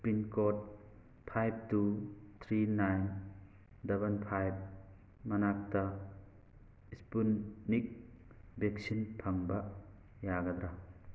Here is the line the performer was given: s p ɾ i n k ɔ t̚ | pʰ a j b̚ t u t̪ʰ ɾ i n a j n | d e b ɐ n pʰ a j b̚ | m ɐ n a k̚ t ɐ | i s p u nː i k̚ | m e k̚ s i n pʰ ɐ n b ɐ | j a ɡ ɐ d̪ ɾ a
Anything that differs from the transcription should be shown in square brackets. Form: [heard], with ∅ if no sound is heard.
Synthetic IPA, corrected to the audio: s p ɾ i n k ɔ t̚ | pʰ a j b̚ t u t̪ʰ ɾ i n a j n | d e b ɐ n pʰ a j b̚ | m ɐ n a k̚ t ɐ | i s p u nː i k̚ | [b] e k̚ s i n pʰ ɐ [ŋ] b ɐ | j a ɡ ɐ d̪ ɾ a